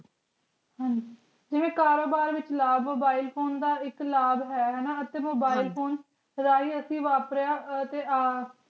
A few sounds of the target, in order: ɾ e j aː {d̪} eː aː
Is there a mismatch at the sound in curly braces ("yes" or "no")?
yes